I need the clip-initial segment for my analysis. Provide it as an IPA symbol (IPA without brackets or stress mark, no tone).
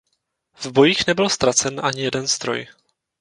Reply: v